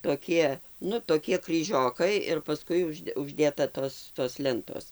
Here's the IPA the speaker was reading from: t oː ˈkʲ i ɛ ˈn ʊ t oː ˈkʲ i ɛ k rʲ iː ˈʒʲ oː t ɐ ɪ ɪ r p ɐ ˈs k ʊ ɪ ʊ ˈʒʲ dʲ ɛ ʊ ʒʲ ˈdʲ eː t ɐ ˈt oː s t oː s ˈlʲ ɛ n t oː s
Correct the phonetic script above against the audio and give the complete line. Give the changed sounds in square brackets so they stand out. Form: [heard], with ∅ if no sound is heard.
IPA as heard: t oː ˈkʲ i ɛ ˈn ʊ t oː ˈkʲ i ɛ k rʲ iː ˈʒʲ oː [k] ɐ ɪ ɪ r p ɐ ˈs k ʊ ɪ ʊ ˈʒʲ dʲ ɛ ʊ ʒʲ ˈdʲ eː t ɐ ˈt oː s t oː s ˈlʲ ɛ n t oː s